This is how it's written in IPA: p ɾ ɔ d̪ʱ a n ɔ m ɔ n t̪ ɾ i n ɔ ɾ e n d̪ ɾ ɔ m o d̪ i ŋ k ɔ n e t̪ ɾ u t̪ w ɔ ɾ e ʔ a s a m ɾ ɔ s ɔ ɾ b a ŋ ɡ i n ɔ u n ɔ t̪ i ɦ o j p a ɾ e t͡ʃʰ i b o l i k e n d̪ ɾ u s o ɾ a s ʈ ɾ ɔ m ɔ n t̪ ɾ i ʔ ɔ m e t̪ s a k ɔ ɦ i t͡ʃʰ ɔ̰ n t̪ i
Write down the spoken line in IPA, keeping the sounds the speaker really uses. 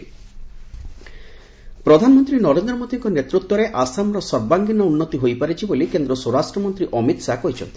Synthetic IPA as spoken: p ɾ ɔ d̪ʱ a n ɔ m ɔ n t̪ ɾ i n ɔ ɾ e n d̪ ɾ ɔ m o d̪ i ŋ k ɔ n e t̪ ɾ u t̪ w ɔ ɾ e ʔ a s a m ɾ ɔ s ɔ ɾ b a ŋ ɡ i n ɔ u nː ɔ t̪ i ɦ o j p a ɾ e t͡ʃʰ i b o l i k e n d̪ ɾ ɔ s o ɾ a s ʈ ɾ ɔ m ɔ n t̪ ɾ i ʔ ɔ m i t̪ s a k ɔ ɦ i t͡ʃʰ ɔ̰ n t̪ i